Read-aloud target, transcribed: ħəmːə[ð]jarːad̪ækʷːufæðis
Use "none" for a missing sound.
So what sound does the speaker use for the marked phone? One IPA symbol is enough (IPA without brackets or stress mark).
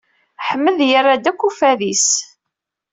ð